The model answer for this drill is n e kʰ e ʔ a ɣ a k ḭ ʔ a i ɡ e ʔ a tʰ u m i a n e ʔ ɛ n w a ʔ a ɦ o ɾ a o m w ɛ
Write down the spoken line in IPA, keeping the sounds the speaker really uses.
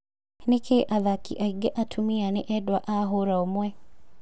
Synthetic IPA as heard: n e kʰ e ʔ a ð a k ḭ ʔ a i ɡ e ʔ a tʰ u m i a n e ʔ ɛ d w a ʔ a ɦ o ɾ a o m w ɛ